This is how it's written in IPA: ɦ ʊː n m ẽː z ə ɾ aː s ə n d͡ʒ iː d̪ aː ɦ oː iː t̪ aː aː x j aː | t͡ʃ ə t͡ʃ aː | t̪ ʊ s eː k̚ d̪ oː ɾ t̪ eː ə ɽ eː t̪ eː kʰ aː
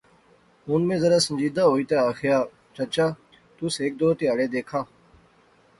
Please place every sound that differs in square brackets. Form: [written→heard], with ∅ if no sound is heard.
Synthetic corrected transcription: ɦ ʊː n m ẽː z ə ɾ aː s ə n d͡ʒ iː d̪ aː ɦ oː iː t̪ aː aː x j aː | t͡ʃ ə t͡ʃ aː | t̪ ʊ s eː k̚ d̪ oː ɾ t̪ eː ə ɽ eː [t̪→d̪] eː kʰ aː